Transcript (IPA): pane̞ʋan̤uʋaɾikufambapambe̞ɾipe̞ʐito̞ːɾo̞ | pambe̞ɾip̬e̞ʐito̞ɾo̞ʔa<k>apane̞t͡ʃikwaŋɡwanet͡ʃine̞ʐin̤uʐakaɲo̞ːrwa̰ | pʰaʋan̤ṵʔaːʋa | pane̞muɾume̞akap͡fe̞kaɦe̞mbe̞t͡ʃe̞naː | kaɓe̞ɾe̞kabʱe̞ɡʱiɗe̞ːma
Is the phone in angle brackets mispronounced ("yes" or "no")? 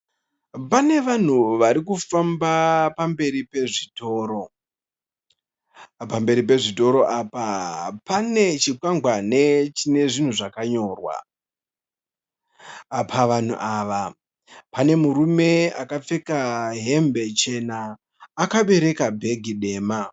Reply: yes